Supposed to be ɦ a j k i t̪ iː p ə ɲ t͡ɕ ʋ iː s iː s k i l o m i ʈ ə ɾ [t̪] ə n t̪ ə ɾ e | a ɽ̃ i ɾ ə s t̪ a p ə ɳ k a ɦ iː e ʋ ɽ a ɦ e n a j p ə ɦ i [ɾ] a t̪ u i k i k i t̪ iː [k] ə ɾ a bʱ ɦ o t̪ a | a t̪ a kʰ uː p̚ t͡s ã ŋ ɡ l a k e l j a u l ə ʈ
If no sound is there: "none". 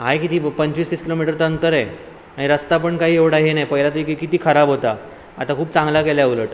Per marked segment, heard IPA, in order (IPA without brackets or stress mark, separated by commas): t̪, l, kʰ